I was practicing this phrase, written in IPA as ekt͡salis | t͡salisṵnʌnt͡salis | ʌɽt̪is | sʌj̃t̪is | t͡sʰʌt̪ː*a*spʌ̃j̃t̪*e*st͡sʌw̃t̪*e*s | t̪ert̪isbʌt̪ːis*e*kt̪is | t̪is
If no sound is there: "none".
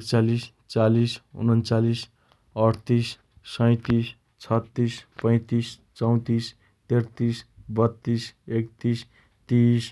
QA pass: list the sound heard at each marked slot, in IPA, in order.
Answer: i, i, i, e

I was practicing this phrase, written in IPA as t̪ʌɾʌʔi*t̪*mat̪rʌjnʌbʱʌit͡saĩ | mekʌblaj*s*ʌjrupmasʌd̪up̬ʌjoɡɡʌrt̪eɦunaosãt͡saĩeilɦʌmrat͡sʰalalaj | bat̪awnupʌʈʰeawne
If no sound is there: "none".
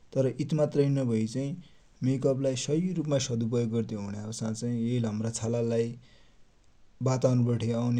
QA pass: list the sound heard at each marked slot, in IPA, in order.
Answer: t̪, s

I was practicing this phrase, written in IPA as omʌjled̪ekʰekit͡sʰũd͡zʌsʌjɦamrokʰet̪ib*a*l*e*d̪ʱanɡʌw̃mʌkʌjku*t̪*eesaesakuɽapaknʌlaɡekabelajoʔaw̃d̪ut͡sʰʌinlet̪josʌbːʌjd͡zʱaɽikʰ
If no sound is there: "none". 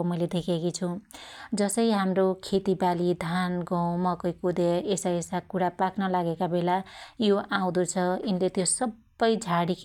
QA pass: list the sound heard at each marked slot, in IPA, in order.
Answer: a, i, d̪

